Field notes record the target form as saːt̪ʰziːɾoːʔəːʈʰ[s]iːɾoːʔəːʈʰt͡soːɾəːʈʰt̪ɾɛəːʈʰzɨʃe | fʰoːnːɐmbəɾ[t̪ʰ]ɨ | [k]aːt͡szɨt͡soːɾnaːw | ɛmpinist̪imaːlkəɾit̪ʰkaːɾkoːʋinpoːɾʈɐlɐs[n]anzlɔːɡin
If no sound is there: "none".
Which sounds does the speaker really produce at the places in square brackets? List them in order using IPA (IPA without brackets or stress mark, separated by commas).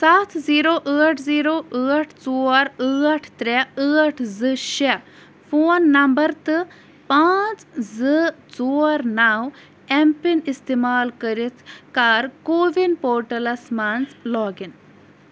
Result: z, t̪, p, m